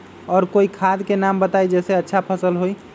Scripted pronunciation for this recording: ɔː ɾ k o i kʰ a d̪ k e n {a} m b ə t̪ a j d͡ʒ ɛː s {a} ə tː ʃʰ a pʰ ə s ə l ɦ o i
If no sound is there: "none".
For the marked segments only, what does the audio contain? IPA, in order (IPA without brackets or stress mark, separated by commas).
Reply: a, e